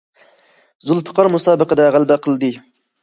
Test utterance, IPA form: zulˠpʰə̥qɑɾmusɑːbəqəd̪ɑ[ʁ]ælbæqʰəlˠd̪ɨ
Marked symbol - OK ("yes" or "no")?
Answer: yes